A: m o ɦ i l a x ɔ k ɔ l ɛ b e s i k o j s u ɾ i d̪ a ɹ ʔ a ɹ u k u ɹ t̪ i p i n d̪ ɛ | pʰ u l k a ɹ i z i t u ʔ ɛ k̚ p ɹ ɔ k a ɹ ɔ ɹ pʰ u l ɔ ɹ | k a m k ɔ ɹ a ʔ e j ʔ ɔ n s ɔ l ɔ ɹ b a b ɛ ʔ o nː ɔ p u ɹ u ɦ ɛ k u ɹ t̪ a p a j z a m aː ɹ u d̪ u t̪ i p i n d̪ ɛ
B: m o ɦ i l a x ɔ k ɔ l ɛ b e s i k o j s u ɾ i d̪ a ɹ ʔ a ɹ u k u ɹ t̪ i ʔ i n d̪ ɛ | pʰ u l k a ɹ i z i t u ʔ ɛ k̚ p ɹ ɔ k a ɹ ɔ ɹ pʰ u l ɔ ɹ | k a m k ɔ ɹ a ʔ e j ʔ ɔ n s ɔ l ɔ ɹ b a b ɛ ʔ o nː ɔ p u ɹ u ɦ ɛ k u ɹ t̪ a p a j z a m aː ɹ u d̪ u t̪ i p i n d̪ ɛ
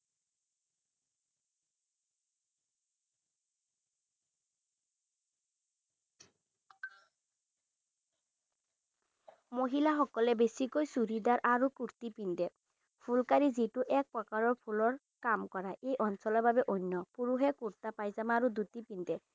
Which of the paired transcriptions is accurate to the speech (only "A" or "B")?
A